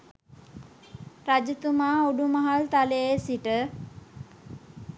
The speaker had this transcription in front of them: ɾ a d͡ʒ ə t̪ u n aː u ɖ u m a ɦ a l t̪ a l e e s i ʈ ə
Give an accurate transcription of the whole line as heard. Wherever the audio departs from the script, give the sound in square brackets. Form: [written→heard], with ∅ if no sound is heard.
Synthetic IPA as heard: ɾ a d͡ʒ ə t̪ u [n→m] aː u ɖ u m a ɦ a l t̪ a l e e s i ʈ ə